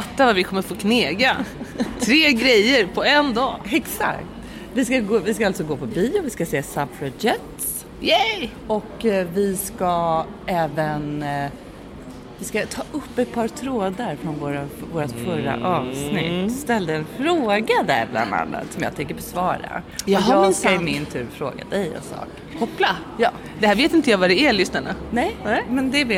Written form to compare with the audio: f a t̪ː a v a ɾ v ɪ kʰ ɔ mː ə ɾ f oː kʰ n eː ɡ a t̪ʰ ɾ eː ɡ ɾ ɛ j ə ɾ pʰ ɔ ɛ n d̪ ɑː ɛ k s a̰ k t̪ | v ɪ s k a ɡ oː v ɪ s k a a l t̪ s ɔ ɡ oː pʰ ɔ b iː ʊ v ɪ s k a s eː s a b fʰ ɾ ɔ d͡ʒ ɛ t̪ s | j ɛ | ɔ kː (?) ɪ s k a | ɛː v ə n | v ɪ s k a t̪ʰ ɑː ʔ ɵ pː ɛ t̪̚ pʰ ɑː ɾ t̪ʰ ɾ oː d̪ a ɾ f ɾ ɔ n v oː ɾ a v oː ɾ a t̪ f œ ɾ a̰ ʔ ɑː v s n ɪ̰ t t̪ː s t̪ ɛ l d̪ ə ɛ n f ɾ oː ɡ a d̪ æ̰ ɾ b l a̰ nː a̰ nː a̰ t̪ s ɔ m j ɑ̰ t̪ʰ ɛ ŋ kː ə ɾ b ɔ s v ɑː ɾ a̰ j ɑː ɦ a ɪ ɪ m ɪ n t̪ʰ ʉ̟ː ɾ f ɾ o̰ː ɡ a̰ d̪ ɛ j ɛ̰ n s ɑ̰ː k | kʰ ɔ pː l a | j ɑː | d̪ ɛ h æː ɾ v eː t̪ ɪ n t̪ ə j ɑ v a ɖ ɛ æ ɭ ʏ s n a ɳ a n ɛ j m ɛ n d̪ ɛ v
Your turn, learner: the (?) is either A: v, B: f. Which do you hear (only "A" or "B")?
A